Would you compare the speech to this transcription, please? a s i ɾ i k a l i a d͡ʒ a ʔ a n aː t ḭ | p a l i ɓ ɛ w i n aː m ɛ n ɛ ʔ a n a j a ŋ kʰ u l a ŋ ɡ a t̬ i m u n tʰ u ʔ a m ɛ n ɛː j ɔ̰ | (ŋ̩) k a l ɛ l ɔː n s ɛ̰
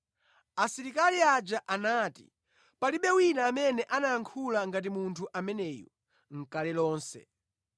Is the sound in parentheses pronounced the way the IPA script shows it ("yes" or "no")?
yes